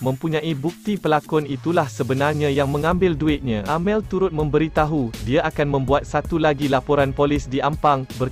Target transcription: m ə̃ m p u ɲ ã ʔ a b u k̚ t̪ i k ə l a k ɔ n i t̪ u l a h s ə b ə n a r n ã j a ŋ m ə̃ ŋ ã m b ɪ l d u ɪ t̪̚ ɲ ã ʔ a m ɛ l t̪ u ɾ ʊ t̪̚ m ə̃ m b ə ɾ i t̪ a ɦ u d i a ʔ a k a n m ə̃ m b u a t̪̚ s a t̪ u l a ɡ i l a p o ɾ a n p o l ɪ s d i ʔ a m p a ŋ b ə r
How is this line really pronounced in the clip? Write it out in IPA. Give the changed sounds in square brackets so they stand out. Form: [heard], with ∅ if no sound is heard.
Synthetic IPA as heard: m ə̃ m p u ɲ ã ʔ [i] b u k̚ t̪ i [p] ə l a k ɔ n i t̪ u l a h s ə b ə n a r [ɲ] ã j a ŋ m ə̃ ŋ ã m b ɪ l d u ɪ t̪̚ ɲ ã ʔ a m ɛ l t̪ u ɾ ʊ t̪̚ m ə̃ m b ə ɾ i t̪ a ɦ u d i a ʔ a k a n m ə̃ m b u a t̪̚ s a t̪ u l a ɡ i l a p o ɾ a n p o l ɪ s d i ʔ a m p a ŋ b ə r